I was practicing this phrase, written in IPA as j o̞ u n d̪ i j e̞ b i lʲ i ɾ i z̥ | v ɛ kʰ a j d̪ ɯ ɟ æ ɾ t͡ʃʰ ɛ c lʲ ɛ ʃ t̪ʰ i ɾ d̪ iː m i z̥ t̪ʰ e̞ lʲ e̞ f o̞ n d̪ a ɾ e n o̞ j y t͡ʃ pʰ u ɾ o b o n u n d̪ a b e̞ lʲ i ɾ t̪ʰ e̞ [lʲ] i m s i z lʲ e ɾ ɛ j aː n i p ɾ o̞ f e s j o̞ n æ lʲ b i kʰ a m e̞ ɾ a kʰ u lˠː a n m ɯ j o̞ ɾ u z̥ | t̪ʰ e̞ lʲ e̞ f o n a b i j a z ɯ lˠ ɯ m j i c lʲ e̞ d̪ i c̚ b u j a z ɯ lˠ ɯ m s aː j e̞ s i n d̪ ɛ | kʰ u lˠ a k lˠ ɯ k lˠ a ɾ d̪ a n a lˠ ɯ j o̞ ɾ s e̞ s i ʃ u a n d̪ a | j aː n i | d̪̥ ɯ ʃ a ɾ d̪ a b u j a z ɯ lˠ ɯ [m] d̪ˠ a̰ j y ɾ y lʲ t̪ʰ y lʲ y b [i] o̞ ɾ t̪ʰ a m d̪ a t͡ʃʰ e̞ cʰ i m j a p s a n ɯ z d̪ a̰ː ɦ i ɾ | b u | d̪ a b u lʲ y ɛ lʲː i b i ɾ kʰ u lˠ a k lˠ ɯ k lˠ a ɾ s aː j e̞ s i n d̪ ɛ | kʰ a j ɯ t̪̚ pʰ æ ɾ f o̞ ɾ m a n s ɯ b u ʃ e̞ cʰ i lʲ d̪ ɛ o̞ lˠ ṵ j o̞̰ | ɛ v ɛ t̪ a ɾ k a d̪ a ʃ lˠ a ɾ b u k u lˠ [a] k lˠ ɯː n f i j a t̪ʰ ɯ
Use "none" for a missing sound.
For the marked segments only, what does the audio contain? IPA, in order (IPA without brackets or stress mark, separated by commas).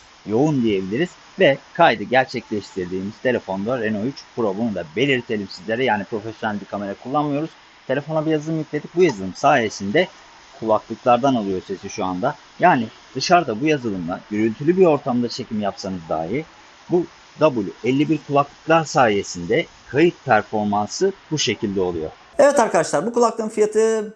lʲ, m, i, a